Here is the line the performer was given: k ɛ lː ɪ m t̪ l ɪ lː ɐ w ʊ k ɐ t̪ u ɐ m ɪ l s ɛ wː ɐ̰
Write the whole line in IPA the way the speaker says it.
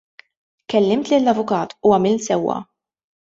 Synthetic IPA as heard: k ɛ lː ɪ m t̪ l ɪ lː ɐ v ʊ k ɐː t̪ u ɐ m ɪ l s ɛ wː ɐ̰